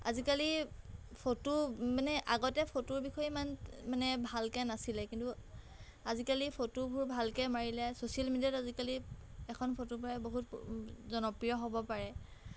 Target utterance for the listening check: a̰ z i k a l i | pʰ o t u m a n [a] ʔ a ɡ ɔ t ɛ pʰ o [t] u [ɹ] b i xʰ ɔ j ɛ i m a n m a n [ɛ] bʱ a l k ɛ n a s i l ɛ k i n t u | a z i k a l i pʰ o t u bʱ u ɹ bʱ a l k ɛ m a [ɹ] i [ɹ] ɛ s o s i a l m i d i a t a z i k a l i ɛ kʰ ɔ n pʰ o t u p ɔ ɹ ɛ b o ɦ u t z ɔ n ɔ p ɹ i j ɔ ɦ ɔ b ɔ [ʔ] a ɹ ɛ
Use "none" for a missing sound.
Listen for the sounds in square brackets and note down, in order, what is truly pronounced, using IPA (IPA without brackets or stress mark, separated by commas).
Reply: ɛ, t, ɹ, ɛ, ɹ, l, p